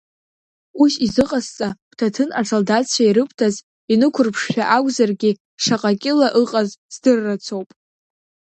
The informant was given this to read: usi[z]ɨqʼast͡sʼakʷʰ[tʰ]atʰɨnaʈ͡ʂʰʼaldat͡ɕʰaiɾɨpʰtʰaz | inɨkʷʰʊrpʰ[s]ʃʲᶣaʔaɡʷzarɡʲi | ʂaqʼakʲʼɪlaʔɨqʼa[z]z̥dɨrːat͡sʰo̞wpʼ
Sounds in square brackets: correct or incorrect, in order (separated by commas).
correct, correct, incorrect, correct